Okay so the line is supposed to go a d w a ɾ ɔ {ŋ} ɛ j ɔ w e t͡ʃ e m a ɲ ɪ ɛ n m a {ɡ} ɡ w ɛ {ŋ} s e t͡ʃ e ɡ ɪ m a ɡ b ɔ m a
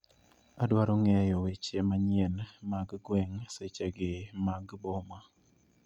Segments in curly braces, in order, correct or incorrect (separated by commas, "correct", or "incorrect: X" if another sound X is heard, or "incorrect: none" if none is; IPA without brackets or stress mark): correct, correct, correct